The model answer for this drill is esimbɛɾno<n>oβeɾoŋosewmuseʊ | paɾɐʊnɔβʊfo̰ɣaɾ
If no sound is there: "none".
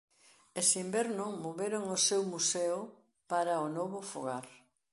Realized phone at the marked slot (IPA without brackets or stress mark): m